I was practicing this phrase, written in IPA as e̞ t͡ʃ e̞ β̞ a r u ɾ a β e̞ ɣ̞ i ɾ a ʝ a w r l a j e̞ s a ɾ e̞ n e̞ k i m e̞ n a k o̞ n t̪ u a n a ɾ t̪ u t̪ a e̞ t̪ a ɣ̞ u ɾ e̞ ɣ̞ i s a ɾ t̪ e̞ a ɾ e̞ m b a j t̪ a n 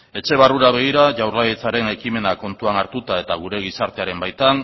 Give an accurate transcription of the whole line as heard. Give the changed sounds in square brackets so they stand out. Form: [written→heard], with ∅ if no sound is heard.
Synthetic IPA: e̞ t͡ʃ e̞ β̞ a r u ɾ a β e̞ ɣ̞ i ɾ a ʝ a w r l a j e̞ [s→t͡s] a ɾ e̞ n e̞ k i m e̞ n a k o̞ n t̪ u a n a ɾ t̪ u t̪ a e̞ t̪ a ɣ̞ u ɾ e̞ ɣ̞ i s a ɾ t̪ e̞ a ɾ e̞ m b a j t̪ a n